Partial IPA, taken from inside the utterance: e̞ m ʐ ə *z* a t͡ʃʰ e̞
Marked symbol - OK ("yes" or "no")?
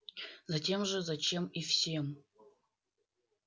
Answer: yes